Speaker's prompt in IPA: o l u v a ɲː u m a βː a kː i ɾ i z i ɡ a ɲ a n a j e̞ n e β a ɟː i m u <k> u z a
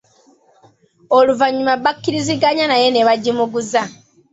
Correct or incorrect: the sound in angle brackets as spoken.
incorrect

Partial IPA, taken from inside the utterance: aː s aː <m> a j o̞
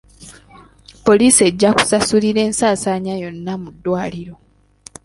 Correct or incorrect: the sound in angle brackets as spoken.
incorrect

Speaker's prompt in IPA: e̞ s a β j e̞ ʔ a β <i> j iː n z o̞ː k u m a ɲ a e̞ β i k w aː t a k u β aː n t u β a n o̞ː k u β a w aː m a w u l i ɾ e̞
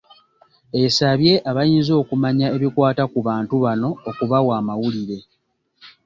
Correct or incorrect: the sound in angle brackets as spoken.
incorrect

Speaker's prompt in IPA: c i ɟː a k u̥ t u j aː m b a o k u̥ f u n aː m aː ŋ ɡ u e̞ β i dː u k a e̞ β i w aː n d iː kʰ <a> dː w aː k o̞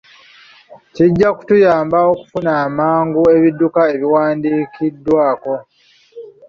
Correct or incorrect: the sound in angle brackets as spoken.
incorrect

